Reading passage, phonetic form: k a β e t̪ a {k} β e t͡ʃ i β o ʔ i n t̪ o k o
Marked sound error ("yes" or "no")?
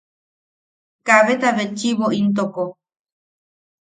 yes